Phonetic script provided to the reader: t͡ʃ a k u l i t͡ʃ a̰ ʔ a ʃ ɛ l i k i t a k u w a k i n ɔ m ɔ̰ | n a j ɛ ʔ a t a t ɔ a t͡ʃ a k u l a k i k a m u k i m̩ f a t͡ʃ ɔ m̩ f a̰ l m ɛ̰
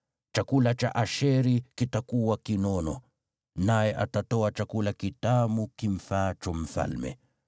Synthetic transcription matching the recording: t͡ʃ a k u l a t͡ʃ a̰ ʔ a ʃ ɛ ɾ i k i t a k u w a k i n ɔ n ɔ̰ | n a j ɛ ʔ a t a t ɔ a t͡ʃ a k u l a k i t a m u k i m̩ f a t͡ʃ ɔ m̩ f a̰ l m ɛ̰